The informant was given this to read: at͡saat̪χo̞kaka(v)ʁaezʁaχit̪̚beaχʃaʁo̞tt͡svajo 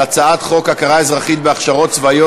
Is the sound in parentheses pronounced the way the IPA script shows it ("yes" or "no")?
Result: no